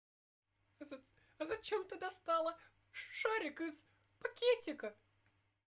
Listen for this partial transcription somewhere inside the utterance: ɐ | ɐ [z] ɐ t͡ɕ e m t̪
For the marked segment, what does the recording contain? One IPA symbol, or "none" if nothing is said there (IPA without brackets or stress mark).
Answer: z